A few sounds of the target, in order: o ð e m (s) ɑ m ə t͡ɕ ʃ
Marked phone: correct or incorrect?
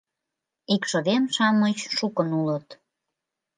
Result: incorrect